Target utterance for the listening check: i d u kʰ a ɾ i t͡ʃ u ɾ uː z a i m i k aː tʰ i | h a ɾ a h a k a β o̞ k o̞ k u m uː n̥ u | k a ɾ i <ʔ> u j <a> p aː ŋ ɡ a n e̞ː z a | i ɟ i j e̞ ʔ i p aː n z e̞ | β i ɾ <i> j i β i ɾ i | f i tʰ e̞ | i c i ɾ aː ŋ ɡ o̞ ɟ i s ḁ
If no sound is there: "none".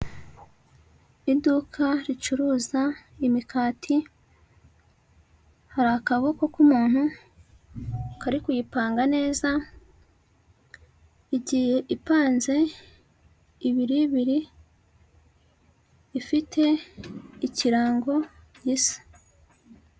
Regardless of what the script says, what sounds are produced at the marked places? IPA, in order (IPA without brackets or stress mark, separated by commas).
k, i, i